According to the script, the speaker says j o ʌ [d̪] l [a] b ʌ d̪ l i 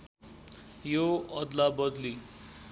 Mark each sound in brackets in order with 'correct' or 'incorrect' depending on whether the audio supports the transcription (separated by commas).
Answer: correct, correct